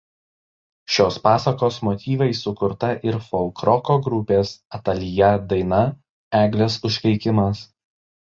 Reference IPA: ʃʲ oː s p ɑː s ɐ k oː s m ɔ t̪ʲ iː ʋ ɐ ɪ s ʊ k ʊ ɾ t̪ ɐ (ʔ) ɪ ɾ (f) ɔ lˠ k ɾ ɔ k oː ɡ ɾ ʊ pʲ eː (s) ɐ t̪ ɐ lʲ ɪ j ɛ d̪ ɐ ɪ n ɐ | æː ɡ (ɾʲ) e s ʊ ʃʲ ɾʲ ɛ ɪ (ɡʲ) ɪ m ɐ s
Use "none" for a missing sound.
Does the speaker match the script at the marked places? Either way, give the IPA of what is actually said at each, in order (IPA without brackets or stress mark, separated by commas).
ʔ, f, s, lʲ, kʲ